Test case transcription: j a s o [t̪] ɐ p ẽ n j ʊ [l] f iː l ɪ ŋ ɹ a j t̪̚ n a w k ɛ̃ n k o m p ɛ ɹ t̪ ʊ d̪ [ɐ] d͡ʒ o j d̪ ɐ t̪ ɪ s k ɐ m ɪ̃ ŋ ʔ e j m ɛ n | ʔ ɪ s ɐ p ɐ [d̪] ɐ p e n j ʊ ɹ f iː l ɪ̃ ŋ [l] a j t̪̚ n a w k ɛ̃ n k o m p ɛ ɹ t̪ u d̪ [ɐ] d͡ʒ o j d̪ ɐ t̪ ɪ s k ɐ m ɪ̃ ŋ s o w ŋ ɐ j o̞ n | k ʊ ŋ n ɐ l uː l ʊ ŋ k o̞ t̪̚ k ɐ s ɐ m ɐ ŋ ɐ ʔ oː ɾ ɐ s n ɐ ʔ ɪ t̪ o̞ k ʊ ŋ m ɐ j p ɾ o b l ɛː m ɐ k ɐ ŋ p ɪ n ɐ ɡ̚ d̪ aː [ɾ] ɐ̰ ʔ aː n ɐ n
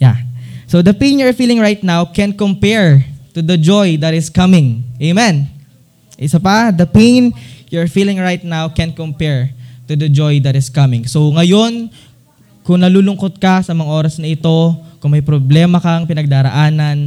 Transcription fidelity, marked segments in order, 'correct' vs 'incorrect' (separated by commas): incorrect, incorrect, correct, correct, incorrect, correct, correct